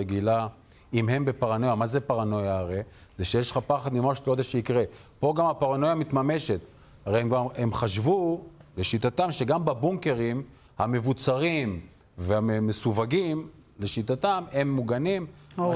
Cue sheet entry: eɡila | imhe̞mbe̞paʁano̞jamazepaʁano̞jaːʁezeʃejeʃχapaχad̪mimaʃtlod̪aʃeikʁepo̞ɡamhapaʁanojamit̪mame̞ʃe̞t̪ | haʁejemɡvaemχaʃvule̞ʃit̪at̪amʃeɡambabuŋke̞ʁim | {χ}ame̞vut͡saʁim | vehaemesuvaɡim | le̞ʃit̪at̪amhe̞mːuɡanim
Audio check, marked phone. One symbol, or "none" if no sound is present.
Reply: h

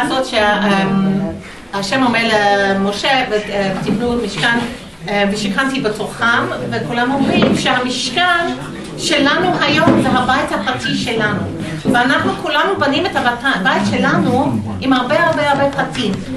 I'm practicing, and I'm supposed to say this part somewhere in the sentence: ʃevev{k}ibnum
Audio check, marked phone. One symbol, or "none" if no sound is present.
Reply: t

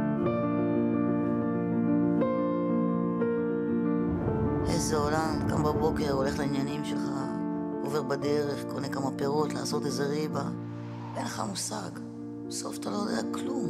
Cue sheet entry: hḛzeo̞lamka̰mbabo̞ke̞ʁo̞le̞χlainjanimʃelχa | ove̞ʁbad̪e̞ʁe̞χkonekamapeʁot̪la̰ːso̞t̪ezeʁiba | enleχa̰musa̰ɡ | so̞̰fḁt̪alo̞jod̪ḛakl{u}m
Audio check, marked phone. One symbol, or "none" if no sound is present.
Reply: u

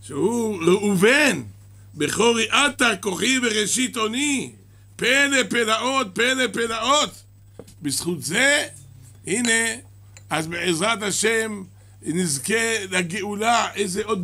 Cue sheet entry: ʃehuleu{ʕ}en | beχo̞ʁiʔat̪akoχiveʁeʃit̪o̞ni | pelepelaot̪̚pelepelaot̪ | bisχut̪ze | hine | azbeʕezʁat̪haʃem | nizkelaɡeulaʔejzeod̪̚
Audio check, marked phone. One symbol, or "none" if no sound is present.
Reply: v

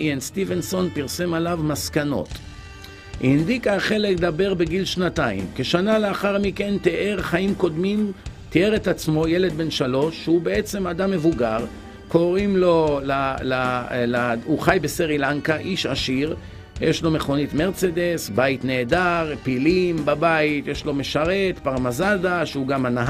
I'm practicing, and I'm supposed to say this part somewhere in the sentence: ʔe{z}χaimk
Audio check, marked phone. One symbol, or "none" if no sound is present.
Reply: ʁ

